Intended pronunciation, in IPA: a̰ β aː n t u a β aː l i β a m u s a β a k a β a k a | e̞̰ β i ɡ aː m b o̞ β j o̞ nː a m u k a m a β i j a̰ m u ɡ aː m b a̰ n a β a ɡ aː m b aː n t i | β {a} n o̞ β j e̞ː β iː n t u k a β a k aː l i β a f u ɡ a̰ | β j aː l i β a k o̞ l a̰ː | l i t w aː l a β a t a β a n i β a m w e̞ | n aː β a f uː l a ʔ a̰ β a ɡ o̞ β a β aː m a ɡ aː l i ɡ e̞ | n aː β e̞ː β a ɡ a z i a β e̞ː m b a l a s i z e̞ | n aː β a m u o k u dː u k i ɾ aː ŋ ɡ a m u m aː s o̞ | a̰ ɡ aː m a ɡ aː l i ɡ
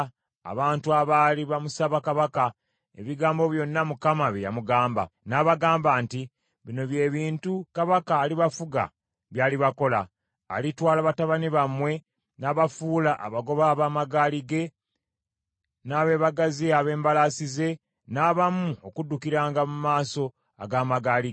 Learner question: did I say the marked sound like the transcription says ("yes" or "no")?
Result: no